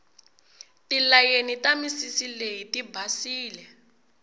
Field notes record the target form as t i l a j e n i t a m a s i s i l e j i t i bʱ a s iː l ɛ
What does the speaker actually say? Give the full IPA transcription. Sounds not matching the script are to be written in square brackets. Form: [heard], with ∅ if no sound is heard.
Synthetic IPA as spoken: t i l a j e n i t a m [i] s i s i l e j i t i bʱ a s iː l ɛ